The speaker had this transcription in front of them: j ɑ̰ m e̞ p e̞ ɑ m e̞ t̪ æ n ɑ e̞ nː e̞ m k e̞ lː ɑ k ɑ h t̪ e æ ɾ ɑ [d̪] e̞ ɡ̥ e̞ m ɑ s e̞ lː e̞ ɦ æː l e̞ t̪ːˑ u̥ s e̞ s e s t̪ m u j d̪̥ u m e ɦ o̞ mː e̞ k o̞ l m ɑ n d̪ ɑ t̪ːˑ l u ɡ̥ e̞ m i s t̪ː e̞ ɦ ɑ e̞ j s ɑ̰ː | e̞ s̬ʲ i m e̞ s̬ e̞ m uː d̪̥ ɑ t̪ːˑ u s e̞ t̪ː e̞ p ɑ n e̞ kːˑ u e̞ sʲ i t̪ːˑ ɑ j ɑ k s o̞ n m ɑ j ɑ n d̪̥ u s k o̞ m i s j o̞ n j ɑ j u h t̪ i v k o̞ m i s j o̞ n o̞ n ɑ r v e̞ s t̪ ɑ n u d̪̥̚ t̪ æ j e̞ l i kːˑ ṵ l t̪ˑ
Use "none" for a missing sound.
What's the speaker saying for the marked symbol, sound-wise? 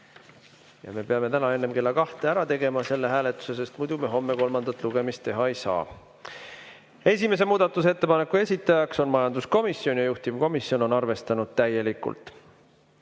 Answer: t̪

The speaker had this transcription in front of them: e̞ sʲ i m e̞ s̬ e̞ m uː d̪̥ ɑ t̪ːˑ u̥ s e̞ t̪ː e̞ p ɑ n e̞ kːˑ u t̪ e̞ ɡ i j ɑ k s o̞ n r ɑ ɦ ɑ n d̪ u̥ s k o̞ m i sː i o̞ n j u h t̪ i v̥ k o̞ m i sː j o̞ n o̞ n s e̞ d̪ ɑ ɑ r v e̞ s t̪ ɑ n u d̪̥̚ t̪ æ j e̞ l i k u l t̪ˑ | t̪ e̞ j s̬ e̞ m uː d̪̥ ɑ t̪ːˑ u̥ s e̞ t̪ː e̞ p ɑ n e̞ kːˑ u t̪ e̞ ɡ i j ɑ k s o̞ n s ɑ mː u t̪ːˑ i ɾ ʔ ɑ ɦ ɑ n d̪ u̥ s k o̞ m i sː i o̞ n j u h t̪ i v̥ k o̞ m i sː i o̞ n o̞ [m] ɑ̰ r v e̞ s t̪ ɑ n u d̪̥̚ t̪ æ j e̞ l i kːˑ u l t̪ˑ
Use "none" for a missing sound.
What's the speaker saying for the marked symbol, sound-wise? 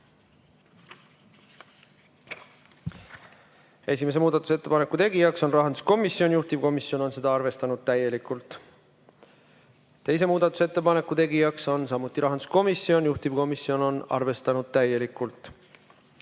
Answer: n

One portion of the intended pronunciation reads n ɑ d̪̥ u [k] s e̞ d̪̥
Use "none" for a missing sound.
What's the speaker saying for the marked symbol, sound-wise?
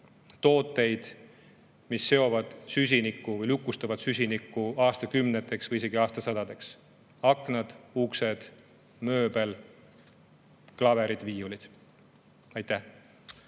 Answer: k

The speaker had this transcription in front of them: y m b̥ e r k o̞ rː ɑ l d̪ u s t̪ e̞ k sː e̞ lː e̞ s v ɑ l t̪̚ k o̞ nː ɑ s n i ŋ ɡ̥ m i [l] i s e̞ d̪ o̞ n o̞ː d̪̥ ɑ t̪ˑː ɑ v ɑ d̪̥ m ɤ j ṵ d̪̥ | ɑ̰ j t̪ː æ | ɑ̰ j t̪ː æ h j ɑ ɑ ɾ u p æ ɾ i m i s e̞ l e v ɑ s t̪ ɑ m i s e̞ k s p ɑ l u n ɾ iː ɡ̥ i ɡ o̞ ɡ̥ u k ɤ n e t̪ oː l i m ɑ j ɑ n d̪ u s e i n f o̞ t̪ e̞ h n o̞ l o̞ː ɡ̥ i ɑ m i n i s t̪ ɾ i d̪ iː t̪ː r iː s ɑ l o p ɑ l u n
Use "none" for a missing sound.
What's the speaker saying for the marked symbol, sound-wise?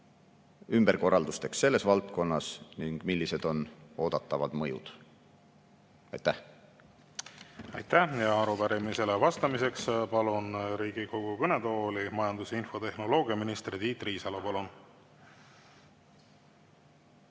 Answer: lː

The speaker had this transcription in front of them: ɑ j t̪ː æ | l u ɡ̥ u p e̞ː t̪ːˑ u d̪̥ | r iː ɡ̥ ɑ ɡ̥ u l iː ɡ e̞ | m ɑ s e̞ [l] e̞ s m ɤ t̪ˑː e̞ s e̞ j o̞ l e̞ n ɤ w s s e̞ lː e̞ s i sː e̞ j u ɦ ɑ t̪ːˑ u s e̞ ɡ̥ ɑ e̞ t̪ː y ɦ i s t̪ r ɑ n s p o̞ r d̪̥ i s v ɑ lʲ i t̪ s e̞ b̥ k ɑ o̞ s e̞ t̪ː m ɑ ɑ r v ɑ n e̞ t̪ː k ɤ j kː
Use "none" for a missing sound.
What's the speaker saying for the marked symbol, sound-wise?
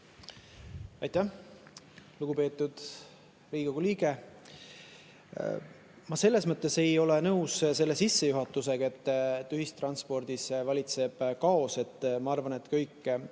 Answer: lː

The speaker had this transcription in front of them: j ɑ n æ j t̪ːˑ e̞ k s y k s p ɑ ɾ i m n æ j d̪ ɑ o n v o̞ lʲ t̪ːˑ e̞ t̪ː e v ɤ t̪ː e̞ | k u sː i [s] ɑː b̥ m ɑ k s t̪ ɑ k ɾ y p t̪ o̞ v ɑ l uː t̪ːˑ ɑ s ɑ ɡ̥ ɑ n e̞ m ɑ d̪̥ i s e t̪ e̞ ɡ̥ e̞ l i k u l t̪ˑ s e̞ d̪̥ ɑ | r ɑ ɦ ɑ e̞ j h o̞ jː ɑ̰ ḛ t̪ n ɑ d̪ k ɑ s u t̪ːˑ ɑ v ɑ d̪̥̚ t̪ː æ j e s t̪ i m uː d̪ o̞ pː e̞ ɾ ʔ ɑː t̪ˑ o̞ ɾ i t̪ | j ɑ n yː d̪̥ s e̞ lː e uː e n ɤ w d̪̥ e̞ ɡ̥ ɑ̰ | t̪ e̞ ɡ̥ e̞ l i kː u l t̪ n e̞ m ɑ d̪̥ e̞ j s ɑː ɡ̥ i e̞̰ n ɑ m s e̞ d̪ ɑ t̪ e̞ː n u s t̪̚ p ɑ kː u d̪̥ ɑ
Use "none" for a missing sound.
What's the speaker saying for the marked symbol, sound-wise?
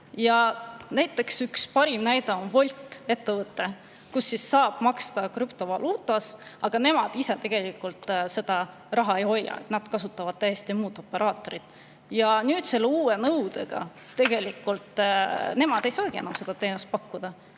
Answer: sː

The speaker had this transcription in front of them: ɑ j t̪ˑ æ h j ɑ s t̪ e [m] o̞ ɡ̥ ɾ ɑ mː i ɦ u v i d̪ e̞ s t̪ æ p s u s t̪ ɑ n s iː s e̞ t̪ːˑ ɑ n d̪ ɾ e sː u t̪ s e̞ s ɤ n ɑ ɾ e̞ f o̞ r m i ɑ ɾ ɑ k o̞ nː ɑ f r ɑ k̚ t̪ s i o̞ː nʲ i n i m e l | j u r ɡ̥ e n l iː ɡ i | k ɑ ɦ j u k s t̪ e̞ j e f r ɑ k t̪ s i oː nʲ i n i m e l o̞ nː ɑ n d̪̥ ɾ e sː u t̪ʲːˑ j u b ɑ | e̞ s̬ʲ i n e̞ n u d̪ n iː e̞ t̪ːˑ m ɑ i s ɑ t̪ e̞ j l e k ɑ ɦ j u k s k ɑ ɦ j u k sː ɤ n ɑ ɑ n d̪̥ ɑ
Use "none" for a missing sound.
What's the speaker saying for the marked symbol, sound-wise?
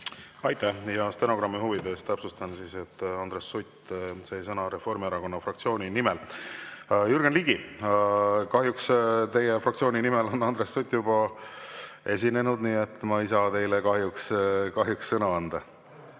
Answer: n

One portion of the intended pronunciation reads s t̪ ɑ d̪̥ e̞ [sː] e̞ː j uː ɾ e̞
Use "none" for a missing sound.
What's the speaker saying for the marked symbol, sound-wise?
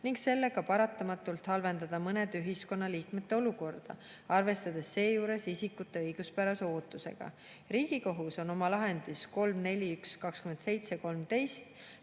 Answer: sː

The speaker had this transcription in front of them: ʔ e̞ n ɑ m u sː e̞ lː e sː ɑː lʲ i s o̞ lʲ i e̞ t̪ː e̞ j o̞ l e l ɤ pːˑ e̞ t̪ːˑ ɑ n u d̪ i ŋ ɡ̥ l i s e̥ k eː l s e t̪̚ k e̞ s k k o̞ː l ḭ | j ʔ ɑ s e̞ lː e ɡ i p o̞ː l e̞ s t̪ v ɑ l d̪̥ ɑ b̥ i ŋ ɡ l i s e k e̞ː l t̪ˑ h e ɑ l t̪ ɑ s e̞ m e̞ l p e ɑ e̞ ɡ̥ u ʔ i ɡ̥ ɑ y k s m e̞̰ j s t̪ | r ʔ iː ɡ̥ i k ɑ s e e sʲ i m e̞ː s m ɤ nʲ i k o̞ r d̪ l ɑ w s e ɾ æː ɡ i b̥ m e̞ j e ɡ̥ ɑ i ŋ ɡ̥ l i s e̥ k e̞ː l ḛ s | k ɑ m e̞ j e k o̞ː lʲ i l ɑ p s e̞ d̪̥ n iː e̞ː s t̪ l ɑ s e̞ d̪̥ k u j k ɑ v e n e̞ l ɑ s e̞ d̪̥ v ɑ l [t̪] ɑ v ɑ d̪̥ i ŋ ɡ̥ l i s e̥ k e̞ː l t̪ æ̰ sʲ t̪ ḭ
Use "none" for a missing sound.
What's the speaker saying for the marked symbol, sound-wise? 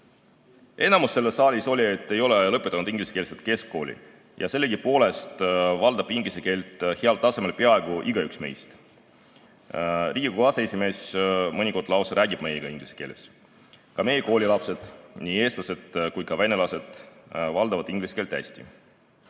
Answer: d̪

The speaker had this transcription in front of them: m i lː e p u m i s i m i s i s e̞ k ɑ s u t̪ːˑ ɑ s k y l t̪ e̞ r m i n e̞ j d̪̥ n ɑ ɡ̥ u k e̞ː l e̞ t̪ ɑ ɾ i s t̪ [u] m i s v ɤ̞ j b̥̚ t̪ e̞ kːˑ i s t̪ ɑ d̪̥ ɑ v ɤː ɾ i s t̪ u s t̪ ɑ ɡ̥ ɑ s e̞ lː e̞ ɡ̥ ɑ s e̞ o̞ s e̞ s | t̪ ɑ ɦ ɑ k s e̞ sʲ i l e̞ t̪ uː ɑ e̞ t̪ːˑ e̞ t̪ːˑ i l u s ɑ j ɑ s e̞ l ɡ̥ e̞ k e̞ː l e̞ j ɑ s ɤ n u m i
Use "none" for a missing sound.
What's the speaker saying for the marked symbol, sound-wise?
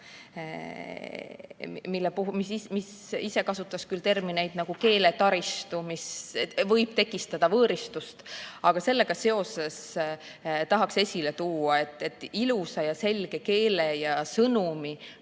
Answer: u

